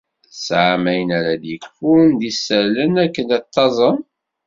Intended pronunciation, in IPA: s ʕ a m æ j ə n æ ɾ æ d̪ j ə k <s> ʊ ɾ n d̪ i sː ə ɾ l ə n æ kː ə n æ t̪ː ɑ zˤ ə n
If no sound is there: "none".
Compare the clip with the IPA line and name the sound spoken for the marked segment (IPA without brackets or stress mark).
f